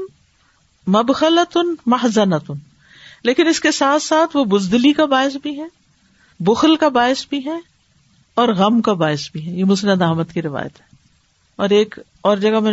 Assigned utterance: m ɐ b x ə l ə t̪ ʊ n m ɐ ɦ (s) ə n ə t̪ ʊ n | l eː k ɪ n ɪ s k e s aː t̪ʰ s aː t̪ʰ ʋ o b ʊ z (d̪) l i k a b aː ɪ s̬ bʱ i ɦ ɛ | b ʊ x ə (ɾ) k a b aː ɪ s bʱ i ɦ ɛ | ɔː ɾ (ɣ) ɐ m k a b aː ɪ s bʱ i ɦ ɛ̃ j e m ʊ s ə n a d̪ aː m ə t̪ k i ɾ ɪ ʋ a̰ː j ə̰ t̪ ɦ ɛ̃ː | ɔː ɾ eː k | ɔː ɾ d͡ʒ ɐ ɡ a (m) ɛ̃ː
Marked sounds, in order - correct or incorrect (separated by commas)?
incorrect, correct, incorrect, correct, correct